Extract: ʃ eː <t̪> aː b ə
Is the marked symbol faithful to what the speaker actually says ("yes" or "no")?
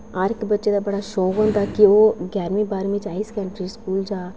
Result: no